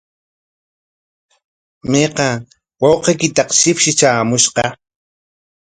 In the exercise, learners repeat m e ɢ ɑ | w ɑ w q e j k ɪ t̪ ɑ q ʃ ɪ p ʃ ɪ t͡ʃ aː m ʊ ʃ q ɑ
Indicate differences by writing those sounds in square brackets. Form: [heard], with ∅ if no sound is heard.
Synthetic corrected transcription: m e [q] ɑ | w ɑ w q e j k ɪ t̪ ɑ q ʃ ɪ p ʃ ɪ t͡ʃ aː m ʊ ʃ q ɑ